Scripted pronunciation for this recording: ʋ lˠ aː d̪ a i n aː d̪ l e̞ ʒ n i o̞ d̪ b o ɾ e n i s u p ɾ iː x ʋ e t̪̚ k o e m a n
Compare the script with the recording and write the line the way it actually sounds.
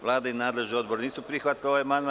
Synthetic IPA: ʋ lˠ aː d̪ a i n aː d̪ l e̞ ʒ n i o̞ d̪ b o ɾ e n iː s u p ɾ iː x ʋ a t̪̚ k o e m a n

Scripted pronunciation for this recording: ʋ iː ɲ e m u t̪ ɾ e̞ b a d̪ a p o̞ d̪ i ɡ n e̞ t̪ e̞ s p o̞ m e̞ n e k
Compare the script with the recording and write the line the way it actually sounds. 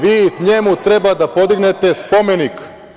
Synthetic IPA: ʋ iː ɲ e m u t̪ ɾ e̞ b a d̪ a p o̞ d̪ i ɡ n e̞ t̪ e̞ s p o̞ m e̞ n i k

